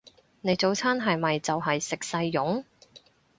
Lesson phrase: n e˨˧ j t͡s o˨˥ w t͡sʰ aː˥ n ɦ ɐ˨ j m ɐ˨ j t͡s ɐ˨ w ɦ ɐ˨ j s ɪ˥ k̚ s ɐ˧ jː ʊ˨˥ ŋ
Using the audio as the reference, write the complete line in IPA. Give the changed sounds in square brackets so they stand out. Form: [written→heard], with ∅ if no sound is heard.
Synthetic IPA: n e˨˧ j t͡s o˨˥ w t͡sʰ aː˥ n ɦ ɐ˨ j m ɐ˨ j t͡s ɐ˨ w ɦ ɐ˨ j s [ɪ˥→ɪ˨] k̚ s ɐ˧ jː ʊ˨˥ ŋ

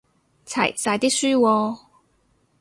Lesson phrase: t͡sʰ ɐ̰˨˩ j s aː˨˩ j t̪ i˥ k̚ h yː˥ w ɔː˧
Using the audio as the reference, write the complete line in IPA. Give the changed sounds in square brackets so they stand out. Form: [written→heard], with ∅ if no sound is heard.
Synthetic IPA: t͡sʰ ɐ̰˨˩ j s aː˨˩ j t̪ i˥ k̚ [h→s] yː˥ w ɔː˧

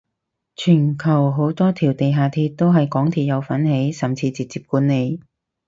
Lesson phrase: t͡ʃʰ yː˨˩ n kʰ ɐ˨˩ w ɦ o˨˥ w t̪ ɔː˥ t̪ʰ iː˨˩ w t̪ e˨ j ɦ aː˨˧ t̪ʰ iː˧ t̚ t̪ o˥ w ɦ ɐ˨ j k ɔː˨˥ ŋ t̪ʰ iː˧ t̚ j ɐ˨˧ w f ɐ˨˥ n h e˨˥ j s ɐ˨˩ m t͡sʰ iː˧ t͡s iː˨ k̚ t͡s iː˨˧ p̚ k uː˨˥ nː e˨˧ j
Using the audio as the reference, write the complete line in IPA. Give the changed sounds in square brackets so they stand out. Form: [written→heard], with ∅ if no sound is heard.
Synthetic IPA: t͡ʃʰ yː˨˩ n kʰ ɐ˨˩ w ɦ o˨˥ w t̪ ɔː˥ t̪ʰ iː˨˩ w t̪ e˨ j ɦ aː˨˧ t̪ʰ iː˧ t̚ t̪ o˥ w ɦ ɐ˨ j k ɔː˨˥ ŋ t̪ʰ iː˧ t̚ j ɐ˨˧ w f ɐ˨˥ n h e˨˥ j s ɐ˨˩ m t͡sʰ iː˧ t͡s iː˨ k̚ t͡s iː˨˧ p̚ k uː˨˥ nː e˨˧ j

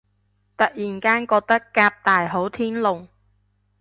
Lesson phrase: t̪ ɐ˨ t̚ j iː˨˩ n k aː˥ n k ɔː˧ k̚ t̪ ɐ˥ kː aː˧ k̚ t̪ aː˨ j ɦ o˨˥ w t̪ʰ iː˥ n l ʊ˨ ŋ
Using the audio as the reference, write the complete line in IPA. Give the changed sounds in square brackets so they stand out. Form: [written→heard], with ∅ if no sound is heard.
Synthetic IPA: t̪ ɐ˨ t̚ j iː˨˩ n k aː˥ n k ɔː˧ k̚ t̪ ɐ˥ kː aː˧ [k̚→p̚] t̪ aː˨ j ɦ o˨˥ w t̪ʰ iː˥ n l ʊ˨ ŋ

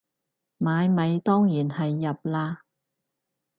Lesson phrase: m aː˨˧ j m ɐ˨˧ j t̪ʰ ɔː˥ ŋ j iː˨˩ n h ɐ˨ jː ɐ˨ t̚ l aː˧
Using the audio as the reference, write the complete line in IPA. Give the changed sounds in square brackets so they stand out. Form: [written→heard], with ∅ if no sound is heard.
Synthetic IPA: m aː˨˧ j m ɐ˨˧ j [t̪ʰ→t̪] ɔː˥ ŋ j iː˨˩ n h ɐ˨ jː ɐ˨ [t̚→p̚] l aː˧

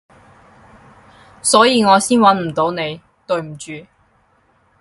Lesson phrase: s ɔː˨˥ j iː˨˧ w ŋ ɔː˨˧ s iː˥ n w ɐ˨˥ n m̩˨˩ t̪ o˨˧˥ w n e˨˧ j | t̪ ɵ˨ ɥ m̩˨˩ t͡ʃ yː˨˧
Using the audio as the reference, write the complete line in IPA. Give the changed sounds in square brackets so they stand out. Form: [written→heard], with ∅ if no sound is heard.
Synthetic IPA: s ɔː˨˥ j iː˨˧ [w→∅] ŋ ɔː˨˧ s iː˥ n w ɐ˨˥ n m̩˨˩ t̪ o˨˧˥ w n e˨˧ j | t̪ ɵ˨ ɥ m̩˨˩ t͡ʃ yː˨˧

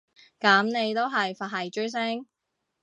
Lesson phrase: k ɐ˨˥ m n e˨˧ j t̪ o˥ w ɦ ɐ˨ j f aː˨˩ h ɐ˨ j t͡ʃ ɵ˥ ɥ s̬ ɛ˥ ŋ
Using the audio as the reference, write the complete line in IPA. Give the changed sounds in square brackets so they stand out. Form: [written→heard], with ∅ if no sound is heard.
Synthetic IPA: k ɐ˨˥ m n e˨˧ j t̪ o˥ w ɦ ɐ˨ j f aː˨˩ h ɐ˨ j t͡ʃ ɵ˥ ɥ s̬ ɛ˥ ŋ

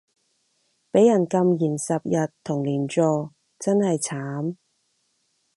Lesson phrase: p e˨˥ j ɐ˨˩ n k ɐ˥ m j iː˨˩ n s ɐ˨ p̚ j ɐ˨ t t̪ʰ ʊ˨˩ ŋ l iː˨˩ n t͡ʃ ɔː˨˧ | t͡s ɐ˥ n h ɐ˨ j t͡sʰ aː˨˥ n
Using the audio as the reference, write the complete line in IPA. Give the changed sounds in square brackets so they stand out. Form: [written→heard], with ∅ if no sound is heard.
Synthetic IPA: p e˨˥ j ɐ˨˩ n k [ɐ˥→ɐ˧] m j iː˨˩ n s ɐ˨ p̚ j ɐ˨ t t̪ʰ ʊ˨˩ ŋ l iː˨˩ n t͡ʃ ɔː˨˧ | t͡s ɐ˥ n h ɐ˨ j t͡sʰ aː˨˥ [n→m]

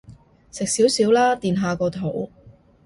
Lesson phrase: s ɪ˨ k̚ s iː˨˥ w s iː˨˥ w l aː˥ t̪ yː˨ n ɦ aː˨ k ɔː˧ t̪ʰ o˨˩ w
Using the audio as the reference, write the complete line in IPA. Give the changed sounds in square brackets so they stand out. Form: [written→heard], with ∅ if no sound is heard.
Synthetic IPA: s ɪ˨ k̚ s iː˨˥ w s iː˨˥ w l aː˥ t̪ [yː˨→iː˨] n ɦ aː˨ k ɔː˧ t̪ʰ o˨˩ w

